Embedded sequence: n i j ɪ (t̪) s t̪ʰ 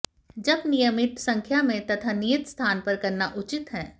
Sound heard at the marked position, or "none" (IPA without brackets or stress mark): t̪